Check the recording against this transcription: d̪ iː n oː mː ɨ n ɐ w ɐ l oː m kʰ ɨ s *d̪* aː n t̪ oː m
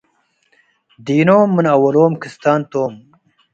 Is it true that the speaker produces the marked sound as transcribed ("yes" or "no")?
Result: no